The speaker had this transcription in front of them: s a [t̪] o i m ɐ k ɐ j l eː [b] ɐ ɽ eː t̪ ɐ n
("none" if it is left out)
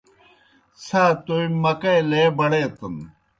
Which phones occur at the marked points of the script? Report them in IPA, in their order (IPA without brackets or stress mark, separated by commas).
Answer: t̪, b